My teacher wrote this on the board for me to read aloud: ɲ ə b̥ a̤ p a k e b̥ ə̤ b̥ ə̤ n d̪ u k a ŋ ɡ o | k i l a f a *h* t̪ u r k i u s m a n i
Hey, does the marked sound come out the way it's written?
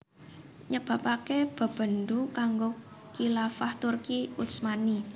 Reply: yes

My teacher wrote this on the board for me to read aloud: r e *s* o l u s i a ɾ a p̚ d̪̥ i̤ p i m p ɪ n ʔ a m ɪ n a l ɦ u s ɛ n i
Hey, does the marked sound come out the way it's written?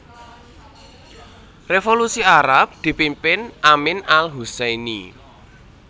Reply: no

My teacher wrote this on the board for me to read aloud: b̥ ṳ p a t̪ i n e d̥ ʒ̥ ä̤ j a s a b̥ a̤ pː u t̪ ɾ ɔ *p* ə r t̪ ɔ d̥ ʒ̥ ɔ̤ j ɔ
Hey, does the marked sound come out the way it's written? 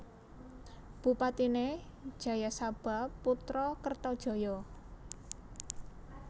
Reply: no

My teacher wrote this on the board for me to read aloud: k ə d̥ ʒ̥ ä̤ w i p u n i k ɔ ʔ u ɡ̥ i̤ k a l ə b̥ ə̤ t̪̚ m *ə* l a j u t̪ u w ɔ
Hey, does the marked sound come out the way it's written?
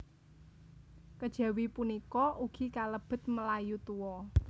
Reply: yes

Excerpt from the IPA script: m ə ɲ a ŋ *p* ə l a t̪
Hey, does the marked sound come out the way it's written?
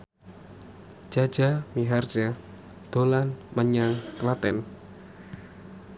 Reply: no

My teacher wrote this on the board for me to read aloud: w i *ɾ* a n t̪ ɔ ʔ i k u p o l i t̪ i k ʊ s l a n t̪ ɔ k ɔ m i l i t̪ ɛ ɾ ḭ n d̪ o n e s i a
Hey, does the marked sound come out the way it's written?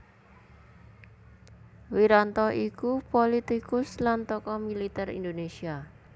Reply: yes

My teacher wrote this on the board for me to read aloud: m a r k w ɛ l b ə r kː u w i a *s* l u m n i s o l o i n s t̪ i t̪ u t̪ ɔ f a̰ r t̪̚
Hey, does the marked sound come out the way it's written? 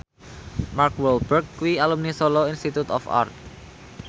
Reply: no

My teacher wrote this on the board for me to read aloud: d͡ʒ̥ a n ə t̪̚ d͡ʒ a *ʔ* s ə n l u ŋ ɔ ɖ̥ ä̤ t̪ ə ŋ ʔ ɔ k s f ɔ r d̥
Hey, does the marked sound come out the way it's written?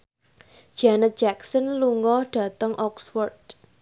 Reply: no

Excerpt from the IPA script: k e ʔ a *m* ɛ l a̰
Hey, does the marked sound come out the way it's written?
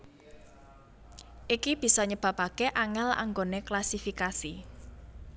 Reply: no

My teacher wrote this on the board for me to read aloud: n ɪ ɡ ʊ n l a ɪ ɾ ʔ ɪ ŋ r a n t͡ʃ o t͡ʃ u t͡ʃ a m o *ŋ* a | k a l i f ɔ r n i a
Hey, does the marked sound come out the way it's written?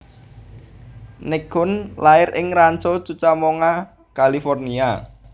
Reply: yes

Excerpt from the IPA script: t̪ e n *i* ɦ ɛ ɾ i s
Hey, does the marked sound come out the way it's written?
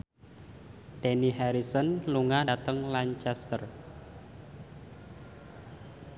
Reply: yes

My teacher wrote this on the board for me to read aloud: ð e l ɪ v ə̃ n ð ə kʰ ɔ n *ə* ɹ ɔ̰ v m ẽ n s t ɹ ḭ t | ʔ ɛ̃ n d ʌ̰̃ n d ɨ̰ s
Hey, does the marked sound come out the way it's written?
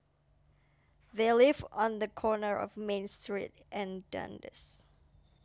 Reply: yes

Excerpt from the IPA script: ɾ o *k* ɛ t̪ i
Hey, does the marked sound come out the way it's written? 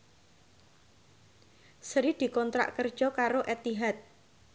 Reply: no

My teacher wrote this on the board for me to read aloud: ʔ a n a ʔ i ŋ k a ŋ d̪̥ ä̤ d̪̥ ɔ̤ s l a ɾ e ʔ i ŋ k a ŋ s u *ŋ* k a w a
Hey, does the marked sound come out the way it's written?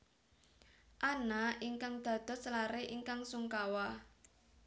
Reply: yes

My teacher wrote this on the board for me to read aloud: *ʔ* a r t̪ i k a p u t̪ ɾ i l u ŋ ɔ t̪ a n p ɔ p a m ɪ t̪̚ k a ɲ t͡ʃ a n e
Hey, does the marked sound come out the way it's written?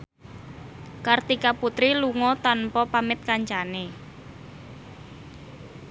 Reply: no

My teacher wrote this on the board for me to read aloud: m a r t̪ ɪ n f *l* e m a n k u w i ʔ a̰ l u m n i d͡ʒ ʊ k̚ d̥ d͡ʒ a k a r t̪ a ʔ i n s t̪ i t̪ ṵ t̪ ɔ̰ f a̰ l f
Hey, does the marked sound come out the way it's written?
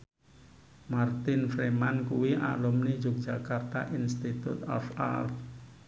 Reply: no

